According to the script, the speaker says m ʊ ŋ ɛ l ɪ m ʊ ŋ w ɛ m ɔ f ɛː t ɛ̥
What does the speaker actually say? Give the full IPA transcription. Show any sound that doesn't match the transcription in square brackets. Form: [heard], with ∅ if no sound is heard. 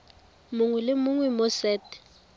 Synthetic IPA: m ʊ ŋ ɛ l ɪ m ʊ ŋ w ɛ m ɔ [s] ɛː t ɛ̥